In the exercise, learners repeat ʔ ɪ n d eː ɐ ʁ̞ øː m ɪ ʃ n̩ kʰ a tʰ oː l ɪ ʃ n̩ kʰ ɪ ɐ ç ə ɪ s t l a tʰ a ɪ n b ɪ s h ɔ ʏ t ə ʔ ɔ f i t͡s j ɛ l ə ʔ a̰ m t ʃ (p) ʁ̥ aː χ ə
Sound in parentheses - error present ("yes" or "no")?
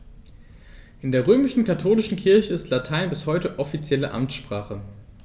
no